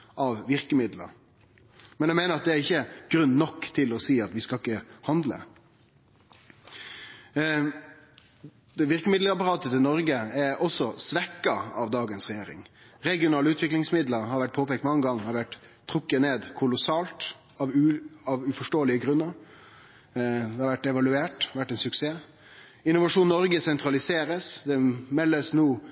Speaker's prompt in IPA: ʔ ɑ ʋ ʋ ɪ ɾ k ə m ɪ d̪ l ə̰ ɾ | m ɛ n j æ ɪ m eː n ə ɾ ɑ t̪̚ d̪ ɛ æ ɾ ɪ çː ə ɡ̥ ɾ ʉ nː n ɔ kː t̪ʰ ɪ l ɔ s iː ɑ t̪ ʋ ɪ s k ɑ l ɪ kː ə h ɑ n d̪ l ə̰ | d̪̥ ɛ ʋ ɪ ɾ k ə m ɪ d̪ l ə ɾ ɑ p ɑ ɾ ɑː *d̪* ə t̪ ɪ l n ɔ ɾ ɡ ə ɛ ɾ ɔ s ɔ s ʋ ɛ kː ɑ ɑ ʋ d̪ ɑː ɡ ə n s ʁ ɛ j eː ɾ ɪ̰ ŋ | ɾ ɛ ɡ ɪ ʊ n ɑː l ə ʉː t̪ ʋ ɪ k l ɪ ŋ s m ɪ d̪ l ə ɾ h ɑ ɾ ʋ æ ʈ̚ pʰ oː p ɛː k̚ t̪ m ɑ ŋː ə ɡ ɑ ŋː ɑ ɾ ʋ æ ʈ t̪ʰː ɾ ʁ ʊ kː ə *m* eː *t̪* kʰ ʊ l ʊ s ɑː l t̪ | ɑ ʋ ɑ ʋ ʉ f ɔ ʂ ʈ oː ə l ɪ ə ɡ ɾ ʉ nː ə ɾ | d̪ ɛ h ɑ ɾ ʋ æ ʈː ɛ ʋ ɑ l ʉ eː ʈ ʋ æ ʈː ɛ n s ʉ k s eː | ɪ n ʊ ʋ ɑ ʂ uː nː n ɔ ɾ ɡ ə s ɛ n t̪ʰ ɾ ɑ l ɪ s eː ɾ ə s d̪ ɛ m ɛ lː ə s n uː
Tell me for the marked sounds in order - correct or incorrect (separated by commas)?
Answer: incorrect, incorrect, incorrect